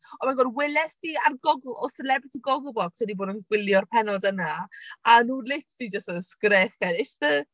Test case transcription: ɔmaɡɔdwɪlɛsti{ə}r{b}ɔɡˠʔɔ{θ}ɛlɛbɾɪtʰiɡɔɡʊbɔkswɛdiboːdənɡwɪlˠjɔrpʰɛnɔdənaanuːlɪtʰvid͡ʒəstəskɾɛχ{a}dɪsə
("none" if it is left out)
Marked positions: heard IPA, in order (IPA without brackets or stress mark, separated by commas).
a, ɡ, s, ɛ